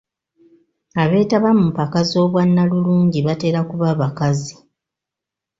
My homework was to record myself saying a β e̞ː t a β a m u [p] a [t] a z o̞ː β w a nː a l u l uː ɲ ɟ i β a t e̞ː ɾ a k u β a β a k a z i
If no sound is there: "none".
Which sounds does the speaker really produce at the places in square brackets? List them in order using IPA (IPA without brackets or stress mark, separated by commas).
p, k